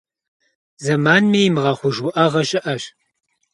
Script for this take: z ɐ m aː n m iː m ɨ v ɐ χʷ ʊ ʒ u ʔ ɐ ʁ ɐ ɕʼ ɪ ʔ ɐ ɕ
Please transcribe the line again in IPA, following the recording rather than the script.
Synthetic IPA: z ɐ m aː n m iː m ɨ ʁ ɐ χʷ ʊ ʒ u ʔ ɐ ʁ ɐ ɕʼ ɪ ʔ ɐ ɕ